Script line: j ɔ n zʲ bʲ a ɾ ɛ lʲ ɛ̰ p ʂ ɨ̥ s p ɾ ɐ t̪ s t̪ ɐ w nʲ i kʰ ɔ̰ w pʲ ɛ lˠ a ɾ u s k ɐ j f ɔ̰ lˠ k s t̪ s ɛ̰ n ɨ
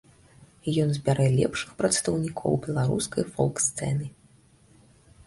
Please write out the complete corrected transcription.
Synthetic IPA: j ɔ n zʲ bʲ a ɾ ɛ lʲ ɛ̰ p ʂ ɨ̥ x p ɾ ɐ t̪ s t̪ ɐ w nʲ i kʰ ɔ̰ w bʲ ɛ lˠ a ɾ u s k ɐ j f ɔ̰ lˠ k s t̪ s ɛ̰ n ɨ